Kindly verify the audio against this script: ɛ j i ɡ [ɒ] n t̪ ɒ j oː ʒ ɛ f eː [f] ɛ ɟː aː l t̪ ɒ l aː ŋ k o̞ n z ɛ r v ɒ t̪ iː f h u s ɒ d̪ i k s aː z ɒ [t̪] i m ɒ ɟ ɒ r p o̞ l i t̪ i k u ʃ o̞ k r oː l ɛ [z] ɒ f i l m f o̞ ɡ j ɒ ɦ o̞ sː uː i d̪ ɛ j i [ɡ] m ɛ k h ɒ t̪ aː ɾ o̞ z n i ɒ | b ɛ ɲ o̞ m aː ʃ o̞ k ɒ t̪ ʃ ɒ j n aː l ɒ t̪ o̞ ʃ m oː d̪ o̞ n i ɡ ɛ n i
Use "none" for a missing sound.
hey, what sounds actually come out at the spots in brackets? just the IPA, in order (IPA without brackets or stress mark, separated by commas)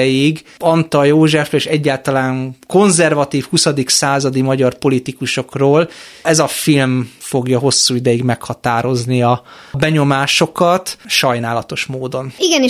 ɒ, ʃ, d̪, z, ɡ